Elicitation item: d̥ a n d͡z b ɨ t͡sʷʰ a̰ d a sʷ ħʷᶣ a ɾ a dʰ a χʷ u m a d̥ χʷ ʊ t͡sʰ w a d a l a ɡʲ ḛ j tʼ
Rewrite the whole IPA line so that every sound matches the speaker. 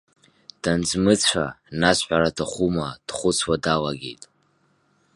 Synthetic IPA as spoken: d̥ a n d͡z m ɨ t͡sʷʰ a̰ n a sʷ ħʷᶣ a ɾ a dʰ a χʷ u m a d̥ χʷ ʊ t͡sʰ w a d a l a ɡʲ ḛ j tʼ

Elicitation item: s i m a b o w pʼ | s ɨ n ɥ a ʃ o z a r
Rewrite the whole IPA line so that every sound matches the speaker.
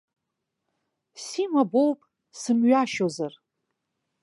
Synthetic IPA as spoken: s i m a b o w pʼ | s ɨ m ɥ a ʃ o z a r

